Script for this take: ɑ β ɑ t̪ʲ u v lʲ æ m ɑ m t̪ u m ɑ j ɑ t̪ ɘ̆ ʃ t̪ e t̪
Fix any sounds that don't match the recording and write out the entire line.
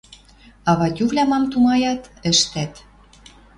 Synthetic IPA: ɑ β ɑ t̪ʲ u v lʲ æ m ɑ m t̪ u m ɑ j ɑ t̪ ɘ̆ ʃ t̪ æ t̪